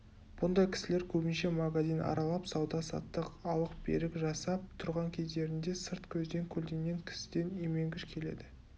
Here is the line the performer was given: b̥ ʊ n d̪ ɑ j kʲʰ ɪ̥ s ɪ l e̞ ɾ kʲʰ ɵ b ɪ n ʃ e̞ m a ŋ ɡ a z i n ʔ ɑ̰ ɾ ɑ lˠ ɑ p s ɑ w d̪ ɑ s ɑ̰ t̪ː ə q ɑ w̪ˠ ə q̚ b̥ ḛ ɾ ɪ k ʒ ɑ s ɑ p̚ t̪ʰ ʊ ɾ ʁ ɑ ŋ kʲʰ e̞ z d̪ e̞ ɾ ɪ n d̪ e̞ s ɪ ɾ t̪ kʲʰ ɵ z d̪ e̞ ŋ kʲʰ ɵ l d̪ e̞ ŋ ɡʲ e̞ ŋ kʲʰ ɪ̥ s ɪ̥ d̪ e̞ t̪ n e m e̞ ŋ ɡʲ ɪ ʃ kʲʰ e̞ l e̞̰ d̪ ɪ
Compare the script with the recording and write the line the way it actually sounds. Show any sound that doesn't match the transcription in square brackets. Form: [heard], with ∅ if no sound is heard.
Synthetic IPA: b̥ ʊ n d̪ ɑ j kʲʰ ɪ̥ s ɪ l e̞ ɾ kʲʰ ɵ b ɪ n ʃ e̞ m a [∅] ɡ a z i n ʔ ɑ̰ ɾ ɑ lˠ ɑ p s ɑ w d̪ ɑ s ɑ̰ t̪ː ə q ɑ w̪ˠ ə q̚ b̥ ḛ ɾ ɪ k ʒ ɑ s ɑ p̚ t̪ʰ ʊ ɾ ʁ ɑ ŋ kʲʰ e̞ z d̪ e̞ ɾ ɪ n d̪ e̞ s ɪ ɾ t̪ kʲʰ ɵ z d̪ e̞ ŋ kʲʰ ɵ l d̪ e̞ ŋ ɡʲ e̞ ŋ kʲʰ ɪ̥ s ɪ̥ d̪ e̞ [∅] n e m e̞ ŋ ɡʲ ɪ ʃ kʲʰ e̞ l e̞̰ d̪ ɪ